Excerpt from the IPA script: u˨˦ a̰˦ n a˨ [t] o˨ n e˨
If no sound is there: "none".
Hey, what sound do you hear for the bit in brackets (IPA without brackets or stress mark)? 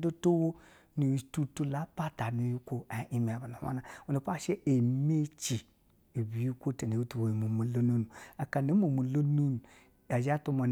none